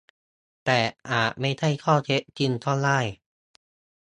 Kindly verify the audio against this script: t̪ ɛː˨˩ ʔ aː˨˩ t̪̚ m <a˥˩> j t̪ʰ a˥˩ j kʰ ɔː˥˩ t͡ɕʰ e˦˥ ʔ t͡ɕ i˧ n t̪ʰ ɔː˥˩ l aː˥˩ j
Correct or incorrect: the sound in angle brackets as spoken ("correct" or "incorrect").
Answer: correct